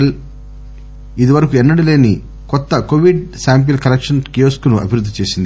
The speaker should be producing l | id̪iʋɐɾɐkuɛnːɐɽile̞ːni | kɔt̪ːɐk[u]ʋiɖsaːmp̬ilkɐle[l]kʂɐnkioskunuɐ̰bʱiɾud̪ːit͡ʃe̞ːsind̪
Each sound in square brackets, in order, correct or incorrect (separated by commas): incorrect, incorrect